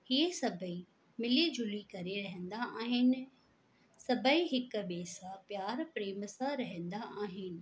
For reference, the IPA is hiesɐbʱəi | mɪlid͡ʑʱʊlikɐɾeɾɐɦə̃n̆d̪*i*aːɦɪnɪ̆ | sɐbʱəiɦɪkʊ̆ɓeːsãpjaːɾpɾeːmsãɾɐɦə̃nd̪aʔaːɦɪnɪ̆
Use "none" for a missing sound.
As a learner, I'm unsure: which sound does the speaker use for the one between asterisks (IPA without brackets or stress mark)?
a